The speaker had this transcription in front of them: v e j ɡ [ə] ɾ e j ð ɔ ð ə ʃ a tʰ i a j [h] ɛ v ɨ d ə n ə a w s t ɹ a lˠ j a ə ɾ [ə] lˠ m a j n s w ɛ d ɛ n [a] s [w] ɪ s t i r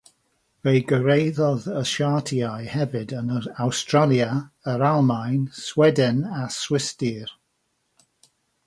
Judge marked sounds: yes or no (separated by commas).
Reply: yes, yes, no, yes, yes